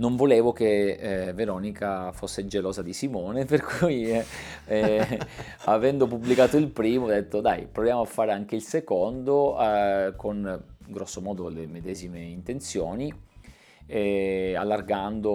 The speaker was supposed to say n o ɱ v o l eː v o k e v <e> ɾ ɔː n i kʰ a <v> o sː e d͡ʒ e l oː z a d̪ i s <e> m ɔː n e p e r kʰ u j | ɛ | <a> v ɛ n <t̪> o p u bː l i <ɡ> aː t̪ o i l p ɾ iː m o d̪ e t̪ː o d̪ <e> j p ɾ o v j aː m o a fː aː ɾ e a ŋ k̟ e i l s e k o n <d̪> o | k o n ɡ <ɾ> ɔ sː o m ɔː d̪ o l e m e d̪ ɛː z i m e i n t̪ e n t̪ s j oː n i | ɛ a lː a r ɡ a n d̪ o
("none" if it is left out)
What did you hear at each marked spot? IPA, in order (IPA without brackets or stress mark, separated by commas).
e, f, i, a, d̪, k, a, d̪, ɾ